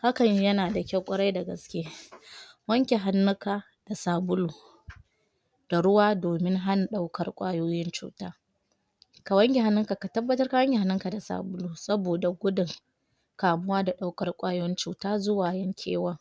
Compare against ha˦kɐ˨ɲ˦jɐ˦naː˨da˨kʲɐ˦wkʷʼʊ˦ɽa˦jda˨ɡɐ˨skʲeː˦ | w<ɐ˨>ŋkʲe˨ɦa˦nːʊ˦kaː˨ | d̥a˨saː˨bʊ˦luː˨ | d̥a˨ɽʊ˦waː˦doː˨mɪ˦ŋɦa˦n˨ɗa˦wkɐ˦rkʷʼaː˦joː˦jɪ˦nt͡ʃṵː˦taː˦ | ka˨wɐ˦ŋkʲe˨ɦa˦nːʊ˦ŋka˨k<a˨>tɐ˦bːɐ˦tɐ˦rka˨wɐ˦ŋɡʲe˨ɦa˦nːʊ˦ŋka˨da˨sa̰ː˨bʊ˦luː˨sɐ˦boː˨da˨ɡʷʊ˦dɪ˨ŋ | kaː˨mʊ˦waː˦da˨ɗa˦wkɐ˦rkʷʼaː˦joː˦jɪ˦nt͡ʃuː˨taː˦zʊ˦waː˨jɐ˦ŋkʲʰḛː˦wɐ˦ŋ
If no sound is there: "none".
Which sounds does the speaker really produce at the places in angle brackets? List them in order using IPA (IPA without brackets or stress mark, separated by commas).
ɐ˦, a˨